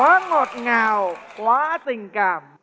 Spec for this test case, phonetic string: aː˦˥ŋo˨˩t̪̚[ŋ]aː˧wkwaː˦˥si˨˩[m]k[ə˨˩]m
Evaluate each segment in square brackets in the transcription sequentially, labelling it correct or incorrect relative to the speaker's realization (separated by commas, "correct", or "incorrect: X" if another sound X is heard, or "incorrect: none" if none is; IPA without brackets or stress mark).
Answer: correct, incorrect: ŋ, incorrect: a˨˩